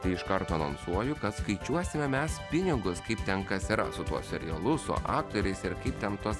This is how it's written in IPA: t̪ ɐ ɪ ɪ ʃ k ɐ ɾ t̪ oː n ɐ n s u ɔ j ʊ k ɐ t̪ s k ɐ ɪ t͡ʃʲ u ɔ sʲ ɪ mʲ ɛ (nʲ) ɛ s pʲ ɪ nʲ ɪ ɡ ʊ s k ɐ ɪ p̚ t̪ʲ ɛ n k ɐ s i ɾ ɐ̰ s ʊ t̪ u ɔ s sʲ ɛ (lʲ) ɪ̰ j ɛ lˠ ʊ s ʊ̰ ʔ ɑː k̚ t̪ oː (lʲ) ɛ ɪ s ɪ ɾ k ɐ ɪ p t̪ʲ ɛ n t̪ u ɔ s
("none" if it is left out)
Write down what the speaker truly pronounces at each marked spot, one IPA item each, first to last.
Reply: mʲ, ɾʲ, ɾʲ

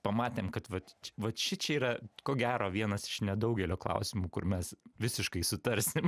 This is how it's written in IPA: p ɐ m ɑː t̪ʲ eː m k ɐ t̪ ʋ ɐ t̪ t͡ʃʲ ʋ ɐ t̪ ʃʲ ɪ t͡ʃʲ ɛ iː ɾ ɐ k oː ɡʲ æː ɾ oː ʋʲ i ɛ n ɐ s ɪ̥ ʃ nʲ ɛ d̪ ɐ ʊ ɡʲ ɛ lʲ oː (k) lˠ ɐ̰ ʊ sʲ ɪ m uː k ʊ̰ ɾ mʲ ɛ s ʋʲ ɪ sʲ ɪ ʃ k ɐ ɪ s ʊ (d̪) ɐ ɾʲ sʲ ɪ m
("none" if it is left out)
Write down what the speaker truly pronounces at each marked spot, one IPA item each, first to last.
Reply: k, t̪

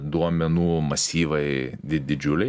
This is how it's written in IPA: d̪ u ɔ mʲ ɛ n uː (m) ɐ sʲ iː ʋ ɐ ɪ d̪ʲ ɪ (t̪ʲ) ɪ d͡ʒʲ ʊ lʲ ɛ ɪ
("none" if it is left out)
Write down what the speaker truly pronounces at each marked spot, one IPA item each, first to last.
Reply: m, d̪ʲ

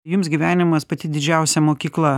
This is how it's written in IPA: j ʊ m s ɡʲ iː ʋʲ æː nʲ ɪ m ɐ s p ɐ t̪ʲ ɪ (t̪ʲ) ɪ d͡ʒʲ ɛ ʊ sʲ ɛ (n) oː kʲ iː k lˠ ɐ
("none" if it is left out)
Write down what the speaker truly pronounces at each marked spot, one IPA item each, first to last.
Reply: d̪ʲ, m

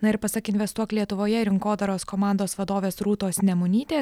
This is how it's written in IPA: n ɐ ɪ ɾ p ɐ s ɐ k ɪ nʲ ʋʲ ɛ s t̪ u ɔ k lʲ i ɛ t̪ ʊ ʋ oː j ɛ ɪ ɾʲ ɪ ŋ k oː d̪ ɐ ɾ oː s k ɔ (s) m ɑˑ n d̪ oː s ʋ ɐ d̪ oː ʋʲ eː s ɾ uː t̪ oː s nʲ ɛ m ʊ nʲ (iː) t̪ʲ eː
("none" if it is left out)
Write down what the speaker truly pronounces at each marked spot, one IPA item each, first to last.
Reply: none, iː

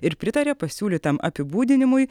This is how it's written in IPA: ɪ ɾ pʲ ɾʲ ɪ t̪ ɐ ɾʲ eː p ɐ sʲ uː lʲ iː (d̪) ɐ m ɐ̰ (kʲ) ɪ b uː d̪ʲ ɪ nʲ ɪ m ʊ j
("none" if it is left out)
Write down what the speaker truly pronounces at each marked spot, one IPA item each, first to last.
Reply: t̪, pʲ

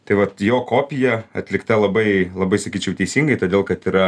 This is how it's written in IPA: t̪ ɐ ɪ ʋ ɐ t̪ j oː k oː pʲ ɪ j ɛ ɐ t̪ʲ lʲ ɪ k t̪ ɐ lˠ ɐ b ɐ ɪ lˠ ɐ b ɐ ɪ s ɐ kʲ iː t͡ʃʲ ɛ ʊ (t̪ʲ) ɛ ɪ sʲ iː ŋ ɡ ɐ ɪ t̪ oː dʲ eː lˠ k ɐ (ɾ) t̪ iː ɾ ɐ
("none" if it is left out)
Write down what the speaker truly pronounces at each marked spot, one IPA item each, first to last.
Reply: t̪ʲ, none

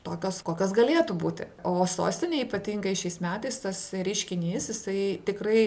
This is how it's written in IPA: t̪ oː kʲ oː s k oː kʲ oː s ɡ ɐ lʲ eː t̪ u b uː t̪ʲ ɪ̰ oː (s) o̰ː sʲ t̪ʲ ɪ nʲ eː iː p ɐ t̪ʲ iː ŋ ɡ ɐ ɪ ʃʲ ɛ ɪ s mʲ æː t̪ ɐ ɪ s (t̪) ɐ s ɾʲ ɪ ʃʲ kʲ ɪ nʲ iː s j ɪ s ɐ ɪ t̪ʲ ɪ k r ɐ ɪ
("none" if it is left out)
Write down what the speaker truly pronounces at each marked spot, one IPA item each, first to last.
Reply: s, t̪

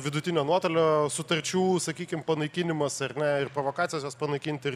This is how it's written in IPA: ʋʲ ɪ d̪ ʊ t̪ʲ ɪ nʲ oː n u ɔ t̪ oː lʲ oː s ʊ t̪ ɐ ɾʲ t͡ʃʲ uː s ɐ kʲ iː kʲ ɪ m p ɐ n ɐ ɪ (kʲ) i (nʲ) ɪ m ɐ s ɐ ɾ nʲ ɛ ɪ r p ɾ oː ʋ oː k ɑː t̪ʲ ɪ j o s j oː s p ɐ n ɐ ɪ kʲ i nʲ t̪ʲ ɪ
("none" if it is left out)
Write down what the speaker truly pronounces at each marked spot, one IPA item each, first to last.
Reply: kʲ, nʲ

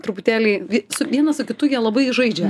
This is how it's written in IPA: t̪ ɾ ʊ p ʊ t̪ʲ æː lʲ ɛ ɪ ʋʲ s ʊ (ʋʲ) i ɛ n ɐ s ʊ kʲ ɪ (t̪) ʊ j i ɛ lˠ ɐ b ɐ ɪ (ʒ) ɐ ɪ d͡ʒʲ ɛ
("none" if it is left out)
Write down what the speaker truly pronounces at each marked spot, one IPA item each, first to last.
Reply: ʋʲ, t̪, ʒ

